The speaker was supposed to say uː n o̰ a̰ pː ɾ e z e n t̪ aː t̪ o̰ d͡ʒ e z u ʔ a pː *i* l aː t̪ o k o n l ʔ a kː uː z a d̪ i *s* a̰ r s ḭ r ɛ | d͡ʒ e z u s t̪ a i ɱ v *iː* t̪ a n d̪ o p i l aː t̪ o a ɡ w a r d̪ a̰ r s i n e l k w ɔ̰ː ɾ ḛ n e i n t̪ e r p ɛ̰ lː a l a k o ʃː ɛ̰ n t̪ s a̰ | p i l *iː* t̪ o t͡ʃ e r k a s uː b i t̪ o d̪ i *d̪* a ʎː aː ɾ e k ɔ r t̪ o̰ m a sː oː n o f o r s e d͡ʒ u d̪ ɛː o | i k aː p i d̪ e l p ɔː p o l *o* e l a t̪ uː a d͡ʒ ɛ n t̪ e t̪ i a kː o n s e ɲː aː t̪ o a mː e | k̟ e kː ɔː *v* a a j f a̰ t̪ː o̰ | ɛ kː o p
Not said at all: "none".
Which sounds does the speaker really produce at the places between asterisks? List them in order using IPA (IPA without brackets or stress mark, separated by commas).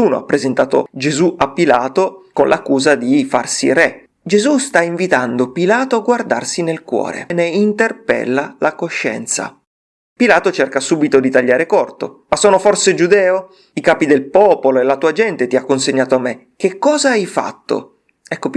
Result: i, f, i, aː, t̪, o, z